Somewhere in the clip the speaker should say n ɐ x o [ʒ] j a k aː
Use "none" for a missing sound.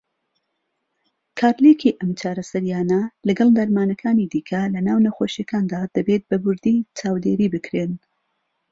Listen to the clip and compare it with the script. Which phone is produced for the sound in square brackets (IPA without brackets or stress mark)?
ʃ